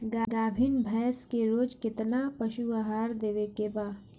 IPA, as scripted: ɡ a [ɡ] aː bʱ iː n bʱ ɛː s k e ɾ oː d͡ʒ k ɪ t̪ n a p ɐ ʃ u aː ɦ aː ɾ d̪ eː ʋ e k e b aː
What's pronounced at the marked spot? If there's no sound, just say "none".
ɡ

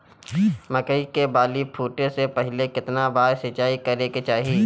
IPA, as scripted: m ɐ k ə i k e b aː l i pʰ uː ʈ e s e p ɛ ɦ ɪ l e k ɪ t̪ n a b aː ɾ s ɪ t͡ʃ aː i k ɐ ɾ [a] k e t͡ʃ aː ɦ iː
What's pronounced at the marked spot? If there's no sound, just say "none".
e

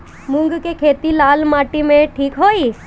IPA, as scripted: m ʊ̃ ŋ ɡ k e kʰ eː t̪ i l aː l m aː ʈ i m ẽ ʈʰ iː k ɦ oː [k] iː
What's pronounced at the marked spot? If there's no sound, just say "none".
none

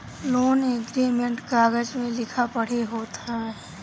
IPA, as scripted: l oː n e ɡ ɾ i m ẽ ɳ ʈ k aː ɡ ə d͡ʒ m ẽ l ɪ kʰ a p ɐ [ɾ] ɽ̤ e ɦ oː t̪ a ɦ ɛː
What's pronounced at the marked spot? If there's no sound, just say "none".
none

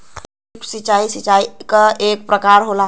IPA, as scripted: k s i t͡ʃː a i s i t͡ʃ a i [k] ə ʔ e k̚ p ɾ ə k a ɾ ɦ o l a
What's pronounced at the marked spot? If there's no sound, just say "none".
k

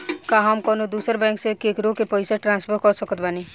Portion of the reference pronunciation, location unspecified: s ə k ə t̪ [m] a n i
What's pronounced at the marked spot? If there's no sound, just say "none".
b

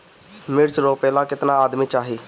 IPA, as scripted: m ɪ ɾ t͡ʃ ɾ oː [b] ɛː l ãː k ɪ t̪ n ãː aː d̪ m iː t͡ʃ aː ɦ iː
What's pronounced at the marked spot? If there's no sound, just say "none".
p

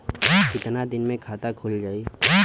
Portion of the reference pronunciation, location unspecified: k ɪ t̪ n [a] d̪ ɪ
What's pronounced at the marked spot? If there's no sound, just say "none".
a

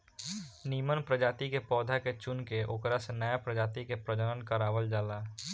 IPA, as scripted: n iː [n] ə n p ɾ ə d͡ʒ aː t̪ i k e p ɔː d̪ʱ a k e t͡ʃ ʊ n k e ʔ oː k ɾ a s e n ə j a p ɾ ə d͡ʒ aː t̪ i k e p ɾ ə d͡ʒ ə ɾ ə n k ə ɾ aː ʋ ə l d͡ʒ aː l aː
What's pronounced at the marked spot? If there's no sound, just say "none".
m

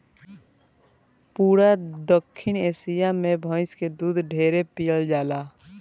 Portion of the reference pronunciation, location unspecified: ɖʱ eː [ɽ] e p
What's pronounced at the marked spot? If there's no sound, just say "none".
ɾ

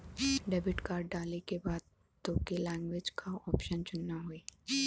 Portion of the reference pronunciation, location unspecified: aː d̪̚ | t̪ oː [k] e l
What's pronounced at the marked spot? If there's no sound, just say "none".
k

